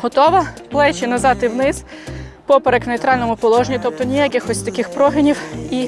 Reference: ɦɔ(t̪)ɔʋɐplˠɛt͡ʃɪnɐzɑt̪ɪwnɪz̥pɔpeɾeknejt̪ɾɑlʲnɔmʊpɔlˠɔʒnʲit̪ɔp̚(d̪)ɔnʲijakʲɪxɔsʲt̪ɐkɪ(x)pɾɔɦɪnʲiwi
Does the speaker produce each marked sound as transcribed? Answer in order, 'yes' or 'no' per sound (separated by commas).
yes, no, yes